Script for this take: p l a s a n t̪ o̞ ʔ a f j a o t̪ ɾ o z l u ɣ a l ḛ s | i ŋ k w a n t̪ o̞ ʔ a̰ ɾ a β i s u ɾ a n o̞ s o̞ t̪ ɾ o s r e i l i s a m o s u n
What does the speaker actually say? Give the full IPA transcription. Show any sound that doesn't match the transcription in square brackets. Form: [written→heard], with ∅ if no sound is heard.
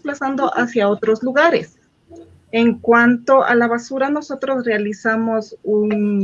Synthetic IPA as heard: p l a s a n [t̪→d̪] o̞ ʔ a [f→s] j a o t̪ ɾ o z l u ɣ a [l→ɾ] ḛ s | [i→e] ŋ k w a n t̪ o̞ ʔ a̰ [ɾ→l] a β [i→a] s u ɾ a n o̞ s o̞ t̪ ɾ o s r e [i→a] l i s a m o s u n